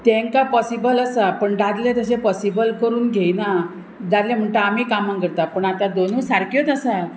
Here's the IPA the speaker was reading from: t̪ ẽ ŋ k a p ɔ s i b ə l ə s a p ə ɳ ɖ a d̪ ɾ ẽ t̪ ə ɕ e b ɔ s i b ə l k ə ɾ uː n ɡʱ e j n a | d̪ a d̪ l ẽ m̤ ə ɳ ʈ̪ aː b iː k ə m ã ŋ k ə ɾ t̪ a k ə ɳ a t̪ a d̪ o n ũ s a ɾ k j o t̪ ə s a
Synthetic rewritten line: t̪ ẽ ŋ k a p ɔ s i b ə l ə s a p ə ɳ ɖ a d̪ l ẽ t̪ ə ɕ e p ɔ s i b ə l k ə ɾ uː n ɡʱ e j n a | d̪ a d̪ l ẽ m̤ ə ɳ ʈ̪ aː m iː k a m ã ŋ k ə ɾ t̪ a p ə ɳ a t̪ a d̪ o n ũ s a ɾ k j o t̪ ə s a